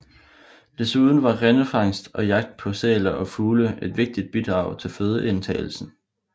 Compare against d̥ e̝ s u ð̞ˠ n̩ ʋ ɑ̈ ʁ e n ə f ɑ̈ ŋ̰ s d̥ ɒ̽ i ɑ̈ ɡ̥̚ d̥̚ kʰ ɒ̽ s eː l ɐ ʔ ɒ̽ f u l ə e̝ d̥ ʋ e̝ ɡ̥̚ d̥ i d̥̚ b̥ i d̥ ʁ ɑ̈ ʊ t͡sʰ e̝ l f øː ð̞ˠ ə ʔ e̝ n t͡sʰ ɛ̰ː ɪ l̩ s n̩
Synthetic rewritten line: d̥ e̝ s u ð̞ˠ n̩ ʋ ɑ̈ ʁ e n ə f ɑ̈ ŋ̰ s d̥ ɒ̽ j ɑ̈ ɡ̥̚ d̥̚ pʰ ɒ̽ s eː l ɐ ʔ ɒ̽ f uː l ə e̝ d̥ ʋ e̝ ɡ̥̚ d̥ i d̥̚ b̥ i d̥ ʁ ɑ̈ ʊ t͡sʰ e̝ l f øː ð̞ˠ ə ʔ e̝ n t͡sʰ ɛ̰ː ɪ l̩ s n̩